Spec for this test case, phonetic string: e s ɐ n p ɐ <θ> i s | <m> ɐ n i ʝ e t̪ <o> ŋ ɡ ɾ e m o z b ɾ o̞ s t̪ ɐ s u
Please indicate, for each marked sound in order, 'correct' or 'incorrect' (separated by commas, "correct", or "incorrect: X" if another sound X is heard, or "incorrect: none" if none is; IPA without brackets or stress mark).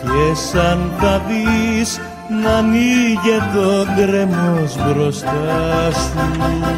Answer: incorrect: ð, incorrect: n, correct